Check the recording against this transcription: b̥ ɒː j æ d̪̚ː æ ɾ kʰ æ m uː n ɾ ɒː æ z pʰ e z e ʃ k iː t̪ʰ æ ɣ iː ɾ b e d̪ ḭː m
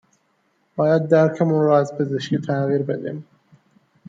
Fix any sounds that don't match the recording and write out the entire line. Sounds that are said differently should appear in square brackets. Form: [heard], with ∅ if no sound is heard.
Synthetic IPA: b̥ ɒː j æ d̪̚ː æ ɾ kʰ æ m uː n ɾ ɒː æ z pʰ e z e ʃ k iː t̪ʰ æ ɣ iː ɾ b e d̪ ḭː m